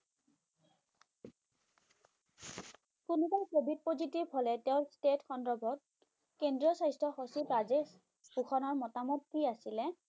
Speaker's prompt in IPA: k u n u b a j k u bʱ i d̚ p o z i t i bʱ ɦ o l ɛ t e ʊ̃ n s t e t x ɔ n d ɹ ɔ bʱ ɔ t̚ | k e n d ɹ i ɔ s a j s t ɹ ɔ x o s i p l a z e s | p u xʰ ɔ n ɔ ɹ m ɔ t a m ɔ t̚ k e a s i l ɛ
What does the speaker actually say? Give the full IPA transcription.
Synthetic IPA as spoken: k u n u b a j k o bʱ i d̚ p o z i t i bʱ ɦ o l ɛ t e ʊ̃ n s t e t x ɔ n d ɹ ɔ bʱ ɔ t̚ | k e n d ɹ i ɔ s a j s t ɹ ɔ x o s i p ɹ a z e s | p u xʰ ɔ n ɔ ɹ m ɔ t a m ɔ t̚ k i a s i l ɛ